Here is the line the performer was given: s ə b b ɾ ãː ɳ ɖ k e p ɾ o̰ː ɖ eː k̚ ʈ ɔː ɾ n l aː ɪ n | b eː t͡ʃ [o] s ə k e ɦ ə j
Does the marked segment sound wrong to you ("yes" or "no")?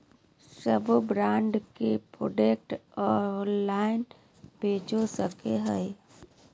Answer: no